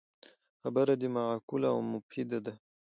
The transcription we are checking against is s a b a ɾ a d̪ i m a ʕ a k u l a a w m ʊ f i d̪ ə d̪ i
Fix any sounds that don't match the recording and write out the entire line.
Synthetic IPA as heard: x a b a ɾ a d̪ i m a ʕ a k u l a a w m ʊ f i d̪ a d̪ a